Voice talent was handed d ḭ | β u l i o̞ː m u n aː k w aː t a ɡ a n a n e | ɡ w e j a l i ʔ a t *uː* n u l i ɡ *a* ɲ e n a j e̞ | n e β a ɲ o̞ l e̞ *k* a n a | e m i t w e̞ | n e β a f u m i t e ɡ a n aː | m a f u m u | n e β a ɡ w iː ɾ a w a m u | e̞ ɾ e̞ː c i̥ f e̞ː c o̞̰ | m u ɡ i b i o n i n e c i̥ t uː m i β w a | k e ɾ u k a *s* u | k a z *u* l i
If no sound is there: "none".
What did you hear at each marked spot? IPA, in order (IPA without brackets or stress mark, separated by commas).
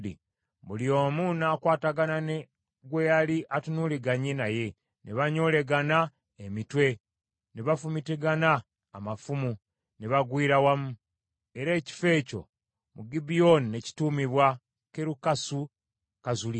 u, a, ɡ, s, u